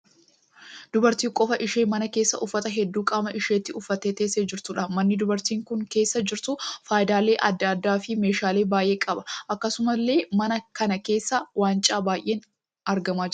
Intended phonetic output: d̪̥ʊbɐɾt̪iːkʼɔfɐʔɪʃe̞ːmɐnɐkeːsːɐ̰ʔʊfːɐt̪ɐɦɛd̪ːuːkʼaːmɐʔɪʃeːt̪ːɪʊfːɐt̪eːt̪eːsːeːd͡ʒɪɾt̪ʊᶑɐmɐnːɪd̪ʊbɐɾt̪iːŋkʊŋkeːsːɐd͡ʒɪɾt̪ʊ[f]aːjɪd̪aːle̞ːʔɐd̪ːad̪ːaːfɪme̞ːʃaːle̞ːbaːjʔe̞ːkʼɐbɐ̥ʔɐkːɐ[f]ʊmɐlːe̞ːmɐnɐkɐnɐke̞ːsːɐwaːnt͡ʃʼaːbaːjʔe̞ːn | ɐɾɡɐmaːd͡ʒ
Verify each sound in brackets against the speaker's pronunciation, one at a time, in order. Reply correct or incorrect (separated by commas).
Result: correct, incorrect